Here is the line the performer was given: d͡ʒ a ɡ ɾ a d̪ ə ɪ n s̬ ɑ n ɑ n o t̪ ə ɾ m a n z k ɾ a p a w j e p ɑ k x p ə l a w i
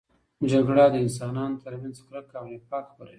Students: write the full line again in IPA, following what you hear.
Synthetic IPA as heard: d͡ʒ a ɡ ɽ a d̪ ə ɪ n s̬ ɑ n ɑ n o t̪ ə ɾ m a n z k ɾ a k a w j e p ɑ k x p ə ɾ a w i